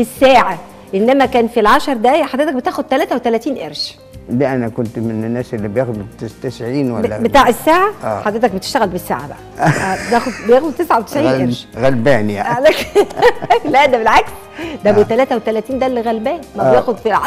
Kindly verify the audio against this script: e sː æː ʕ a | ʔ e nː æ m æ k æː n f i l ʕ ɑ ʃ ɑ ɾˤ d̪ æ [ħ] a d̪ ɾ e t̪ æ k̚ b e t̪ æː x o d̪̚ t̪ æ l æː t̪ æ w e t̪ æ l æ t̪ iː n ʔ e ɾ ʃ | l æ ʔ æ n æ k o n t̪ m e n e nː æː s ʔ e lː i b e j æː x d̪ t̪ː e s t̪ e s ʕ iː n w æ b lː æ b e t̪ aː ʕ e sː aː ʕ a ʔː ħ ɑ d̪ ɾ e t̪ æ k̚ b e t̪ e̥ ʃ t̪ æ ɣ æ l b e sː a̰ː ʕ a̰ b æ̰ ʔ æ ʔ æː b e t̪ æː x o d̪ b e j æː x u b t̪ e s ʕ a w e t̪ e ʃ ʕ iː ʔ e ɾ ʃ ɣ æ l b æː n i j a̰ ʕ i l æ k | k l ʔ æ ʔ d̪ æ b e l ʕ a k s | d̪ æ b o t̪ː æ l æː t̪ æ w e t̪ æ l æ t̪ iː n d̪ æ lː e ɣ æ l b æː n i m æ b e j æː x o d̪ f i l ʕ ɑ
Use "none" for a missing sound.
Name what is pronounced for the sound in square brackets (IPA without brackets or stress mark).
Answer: ħ